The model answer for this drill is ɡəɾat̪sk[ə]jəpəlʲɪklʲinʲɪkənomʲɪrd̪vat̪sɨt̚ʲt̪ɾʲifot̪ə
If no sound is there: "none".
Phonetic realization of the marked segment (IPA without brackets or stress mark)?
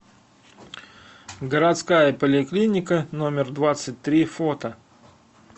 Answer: a